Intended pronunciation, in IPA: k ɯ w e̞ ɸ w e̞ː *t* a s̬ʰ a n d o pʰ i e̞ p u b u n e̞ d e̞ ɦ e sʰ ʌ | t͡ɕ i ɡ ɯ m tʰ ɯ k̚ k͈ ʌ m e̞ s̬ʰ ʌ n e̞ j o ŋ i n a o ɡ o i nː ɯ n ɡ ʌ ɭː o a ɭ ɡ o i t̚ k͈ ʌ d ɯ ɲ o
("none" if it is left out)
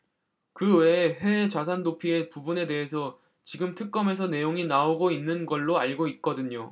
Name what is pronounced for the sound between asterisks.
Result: t͡ɕ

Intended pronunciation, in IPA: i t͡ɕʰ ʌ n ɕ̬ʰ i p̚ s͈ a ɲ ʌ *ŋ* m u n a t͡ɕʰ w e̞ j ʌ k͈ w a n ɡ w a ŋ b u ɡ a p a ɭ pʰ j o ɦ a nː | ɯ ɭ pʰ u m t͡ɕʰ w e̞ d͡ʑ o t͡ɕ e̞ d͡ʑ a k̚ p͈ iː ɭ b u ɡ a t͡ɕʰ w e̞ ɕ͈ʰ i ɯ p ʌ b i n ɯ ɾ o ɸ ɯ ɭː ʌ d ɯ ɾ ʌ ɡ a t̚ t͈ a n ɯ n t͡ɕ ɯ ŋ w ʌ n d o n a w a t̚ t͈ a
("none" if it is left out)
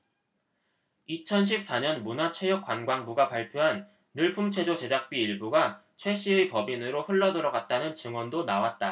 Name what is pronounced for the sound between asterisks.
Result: n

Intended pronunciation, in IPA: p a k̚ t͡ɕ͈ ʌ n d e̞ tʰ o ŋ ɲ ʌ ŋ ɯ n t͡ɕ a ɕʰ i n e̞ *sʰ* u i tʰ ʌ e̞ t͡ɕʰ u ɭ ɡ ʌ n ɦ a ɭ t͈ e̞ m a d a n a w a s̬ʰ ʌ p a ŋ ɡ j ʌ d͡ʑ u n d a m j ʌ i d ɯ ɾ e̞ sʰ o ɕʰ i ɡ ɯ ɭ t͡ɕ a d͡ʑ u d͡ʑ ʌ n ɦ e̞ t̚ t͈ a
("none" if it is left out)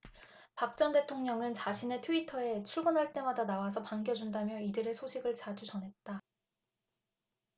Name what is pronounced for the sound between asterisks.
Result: tʰ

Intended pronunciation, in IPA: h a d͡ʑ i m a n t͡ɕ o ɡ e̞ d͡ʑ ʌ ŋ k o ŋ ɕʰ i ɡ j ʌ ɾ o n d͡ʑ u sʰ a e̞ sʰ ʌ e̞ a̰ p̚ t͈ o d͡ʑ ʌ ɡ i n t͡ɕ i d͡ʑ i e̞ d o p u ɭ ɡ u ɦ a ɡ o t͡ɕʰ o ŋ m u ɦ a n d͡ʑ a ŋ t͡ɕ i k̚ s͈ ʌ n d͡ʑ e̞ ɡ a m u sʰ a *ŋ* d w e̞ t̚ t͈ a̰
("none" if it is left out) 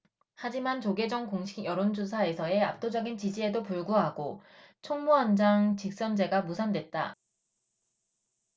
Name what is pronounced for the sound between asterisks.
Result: n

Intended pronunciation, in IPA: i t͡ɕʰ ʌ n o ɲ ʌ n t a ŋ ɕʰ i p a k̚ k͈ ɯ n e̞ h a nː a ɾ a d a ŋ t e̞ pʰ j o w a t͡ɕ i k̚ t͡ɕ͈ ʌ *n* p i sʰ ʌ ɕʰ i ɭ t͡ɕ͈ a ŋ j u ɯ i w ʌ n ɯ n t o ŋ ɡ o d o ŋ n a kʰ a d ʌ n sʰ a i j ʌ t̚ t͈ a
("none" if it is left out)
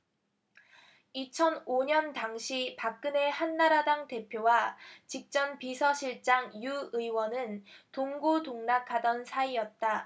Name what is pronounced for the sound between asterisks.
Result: n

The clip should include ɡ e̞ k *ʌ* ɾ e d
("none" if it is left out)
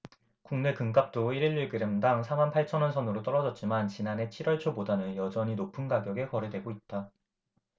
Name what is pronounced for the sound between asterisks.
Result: ʌ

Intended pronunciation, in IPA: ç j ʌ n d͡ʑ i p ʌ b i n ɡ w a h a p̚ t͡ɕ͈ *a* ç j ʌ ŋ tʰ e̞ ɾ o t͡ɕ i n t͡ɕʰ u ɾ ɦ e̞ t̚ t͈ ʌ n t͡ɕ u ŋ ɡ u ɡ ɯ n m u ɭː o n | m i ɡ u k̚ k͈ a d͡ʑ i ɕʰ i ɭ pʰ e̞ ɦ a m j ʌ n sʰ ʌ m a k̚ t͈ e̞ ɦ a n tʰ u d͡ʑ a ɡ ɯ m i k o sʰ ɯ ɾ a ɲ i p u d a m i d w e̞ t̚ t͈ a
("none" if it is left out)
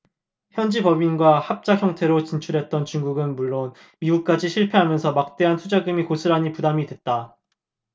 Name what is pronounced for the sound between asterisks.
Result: a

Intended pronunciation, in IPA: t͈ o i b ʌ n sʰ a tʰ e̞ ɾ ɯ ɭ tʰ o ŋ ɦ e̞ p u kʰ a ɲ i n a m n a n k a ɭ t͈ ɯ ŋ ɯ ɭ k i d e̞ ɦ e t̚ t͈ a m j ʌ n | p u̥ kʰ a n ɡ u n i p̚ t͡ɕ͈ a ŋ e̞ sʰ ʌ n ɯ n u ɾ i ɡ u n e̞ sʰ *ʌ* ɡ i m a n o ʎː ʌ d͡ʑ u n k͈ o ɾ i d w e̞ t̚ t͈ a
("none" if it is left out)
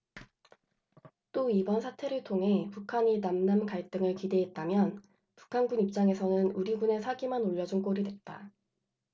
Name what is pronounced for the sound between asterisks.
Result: a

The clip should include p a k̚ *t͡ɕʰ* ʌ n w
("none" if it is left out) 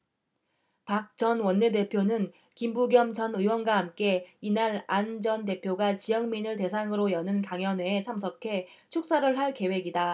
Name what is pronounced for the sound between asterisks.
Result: t͡ɕ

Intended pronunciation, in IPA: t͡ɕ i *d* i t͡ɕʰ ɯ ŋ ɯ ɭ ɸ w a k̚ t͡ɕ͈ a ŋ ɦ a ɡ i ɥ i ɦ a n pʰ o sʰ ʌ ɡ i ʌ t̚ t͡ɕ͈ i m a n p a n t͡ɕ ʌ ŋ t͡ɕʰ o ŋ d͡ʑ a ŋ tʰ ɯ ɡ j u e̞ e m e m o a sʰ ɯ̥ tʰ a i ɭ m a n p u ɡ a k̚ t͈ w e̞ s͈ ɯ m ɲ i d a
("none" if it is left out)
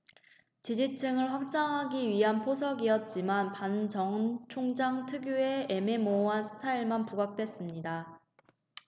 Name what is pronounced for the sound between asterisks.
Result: d͡ʑ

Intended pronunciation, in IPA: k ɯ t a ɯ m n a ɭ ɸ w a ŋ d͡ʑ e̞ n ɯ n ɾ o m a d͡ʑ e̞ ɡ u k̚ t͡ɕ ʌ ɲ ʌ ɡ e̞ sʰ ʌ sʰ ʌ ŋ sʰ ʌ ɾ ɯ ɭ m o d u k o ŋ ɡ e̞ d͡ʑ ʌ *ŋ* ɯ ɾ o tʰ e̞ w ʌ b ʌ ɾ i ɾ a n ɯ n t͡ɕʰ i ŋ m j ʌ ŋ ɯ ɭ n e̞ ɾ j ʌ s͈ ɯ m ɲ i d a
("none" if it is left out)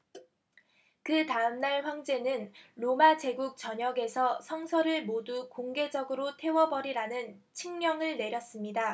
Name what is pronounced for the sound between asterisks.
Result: ɡ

